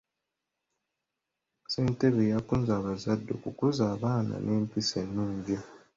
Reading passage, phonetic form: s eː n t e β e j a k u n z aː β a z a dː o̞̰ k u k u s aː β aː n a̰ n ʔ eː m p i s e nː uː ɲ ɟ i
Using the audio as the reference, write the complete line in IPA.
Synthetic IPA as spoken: s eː n t e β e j a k u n z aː β a z a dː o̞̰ k u k u z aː β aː n a̰ n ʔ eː m p i s e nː uː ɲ ɟ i